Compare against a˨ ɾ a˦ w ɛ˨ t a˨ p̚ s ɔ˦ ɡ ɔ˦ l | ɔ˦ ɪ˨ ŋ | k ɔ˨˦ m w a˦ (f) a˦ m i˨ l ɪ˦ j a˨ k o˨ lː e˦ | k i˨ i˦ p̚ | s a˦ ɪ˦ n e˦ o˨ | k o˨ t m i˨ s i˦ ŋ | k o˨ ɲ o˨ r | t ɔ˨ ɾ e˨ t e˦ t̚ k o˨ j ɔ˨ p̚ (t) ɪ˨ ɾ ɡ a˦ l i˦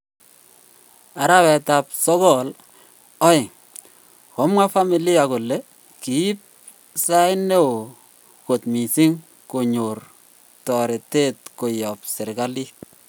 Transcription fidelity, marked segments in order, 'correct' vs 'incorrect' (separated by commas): correct, incorrect